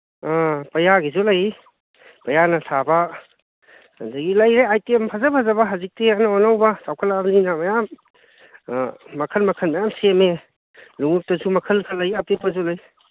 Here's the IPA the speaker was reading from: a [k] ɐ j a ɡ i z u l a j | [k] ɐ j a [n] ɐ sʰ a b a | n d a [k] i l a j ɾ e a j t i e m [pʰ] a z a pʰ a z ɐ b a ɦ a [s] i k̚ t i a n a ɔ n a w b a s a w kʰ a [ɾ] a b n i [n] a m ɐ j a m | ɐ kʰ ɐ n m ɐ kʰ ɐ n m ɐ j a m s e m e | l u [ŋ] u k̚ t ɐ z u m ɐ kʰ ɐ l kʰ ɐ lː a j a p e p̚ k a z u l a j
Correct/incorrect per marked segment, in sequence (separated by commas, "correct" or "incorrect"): incorrect, incorrect, correct, incorrect, correct, incorrect, incorrect, correct, correct